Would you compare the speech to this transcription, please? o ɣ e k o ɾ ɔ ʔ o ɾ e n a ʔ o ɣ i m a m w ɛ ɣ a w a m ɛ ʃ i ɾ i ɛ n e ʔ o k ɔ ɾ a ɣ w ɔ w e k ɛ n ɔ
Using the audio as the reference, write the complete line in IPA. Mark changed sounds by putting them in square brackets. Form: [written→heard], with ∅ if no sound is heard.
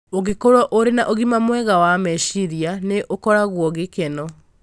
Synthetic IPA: o ɣ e k o ɾ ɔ ʔ o ɾ e n a ʔ o ɣ i m a m w ɛ ɣ a w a m ɛ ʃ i ɾ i [ɛ→a] n e ʔ o k ɔ ɾ a ɣ w ɔ [w→ɣ] e k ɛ n ɔ